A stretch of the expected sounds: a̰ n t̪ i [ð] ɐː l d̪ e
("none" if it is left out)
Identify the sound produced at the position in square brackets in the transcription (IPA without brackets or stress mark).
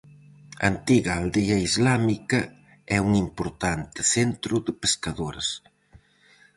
ɣ